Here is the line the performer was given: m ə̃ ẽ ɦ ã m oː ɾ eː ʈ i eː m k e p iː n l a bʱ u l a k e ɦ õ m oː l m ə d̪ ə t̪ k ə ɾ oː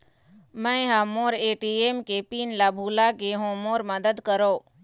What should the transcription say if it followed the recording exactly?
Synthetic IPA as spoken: m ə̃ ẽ ɦ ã m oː ɾ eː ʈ i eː m k e p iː n l a bʱ u l a k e ɦ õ m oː ɾ m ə d̪ ə d̪ k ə ɾ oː